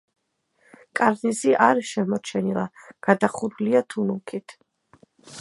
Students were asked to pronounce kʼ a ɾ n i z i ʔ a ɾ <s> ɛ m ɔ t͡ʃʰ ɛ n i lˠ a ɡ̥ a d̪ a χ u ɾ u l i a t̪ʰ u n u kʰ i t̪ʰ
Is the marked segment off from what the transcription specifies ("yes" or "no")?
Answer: yes